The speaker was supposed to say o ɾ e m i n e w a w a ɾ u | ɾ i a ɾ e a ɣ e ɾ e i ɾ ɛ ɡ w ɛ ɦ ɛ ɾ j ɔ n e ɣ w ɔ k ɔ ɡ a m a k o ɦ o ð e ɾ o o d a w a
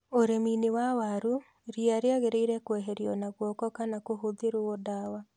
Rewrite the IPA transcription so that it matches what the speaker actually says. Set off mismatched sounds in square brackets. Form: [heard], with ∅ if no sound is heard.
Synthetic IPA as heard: o ɾ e m i n e w a w a ɾ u | ɾ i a ɾ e a ɣ e ɾ e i ɾ ɛ [k] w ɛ ɦ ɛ ɾ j ɔ n [a] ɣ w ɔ k ɔ [k] a [n] a k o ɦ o ð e ɾ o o d a w a